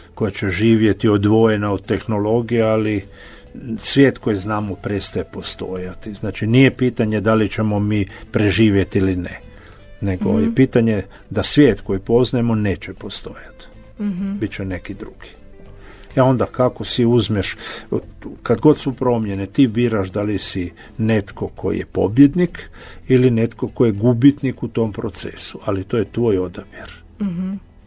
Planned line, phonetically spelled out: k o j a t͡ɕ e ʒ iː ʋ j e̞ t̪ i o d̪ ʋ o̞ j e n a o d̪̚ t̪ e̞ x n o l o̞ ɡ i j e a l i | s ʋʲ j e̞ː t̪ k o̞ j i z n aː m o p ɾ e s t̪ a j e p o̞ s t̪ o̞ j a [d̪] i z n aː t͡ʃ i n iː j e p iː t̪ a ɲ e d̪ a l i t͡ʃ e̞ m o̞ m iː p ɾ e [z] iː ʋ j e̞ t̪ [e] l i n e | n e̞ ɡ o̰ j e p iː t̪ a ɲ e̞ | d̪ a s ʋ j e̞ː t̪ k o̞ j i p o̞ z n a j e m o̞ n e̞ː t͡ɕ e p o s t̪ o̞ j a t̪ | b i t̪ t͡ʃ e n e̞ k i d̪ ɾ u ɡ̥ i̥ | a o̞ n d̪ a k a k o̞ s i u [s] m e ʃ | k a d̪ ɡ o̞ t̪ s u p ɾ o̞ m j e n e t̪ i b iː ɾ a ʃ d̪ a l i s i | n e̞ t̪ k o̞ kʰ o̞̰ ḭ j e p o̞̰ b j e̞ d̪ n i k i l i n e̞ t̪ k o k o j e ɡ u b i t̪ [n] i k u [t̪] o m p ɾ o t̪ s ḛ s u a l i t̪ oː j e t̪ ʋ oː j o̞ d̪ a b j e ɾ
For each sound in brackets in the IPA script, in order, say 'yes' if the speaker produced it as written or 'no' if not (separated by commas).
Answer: no, no, no, no, yes, yes